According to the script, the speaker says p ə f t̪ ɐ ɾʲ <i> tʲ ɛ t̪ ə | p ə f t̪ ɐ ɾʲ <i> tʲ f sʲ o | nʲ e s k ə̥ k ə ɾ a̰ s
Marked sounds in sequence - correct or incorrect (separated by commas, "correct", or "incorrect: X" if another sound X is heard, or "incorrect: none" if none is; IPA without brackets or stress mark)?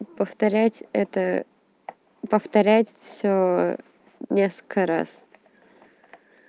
incorrect: æ, incorrect: æ